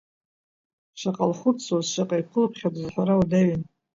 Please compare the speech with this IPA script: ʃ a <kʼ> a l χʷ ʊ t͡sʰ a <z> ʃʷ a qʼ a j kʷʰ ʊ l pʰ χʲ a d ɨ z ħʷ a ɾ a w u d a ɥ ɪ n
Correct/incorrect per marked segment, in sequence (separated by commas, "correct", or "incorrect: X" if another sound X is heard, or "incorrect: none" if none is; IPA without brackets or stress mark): incorrect: qʼ, correct